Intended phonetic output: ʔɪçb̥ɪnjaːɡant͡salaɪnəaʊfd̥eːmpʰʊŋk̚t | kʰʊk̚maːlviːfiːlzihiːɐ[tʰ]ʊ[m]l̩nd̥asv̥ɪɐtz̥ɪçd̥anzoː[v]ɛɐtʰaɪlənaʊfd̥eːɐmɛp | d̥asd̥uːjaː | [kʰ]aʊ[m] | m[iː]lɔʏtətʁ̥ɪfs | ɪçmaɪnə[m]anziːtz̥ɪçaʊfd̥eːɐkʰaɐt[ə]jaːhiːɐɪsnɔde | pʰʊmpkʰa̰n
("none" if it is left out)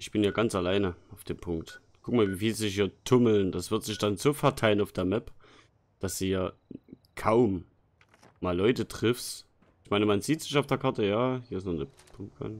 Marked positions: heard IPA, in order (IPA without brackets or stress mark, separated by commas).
tʰ, m, f, kʰ, m, aː, m, ə